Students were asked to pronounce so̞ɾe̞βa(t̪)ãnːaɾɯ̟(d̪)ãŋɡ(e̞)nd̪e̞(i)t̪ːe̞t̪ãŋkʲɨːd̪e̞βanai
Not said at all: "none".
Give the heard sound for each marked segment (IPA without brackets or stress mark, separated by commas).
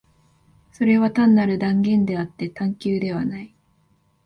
t̪, d̪, ẽ̞, a